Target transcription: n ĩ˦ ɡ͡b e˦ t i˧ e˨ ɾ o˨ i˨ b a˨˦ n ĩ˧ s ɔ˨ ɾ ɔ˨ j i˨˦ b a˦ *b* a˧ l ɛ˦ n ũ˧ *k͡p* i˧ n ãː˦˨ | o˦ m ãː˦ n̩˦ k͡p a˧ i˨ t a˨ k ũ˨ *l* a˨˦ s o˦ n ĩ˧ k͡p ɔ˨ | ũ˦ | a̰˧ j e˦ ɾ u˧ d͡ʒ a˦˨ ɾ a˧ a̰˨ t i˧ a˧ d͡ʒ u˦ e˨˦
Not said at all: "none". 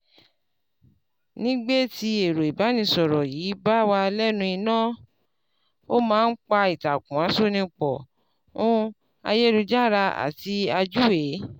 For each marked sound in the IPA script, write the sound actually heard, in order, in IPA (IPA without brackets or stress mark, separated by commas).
w, none, none